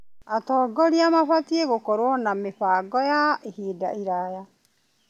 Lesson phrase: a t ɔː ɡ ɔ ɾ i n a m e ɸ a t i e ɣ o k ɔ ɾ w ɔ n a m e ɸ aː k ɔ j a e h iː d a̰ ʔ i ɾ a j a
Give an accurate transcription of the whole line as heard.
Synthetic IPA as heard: a t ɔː ɡ ɔ ɾ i a m a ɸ a t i e ɣ o k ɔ ɾ w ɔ n a m e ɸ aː ɡ ɔ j a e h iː d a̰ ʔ i ɾ a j a